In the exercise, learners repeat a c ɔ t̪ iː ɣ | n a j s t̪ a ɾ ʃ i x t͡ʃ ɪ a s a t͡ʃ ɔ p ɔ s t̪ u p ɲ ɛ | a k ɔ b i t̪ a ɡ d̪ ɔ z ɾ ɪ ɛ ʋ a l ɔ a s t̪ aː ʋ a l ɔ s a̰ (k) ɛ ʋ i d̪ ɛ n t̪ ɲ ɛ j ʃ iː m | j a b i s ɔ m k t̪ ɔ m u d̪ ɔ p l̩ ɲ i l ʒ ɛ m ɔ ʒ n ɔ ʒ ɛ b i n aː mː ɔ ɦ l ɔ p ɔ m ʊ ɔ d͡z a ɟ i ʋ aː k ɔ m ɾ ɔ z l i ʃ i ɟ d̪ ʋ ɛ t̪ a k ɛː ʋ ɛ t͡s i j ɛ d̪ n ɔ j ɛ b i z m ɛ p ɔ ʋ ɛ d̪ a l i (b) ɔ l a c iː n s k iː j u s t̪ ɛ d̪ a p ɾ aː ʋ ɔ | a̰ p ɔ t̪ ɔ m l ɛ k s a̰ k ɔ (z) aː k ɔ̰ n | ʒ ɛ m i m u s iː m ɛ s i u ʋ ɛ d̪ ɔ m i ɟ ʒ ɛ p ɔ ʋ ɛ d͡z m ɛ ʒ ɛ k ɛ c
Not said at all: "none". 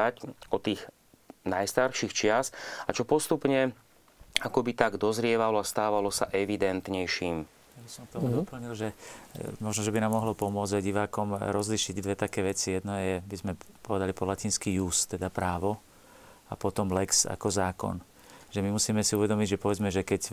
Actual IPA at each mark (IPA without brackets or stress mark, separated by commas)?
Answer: ʔ, p, z